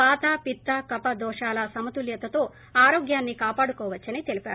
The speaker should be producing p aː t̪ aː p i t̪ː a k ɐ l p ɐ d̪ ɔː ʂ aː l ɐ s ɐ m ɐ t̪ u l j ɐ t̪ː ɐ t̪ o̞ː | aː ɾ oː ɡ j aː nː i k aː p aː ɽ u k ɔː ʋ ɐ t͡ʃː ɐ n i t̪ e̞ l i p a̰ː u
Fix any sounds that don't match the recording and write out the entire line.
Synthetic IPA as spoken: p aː t̪ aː p i t̪ː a k ɐ p ɐ d̪ ɔː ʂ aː l ɐ s ɐ m ɐ t̪ u l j ɐ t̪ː ɐ t̪ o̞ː | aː ɾ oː ɡ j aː nː i k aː p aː ɽ u k ɔː ʋ ɐ t͡ʃː ɐ n i t̪ e̞ l i p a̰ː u